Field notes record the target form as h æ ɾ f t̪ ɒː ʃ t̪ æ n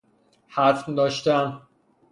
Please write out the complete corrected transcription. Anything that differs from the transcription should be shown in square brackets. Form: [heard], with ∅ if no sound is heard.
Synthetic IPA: h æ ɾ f [d̪] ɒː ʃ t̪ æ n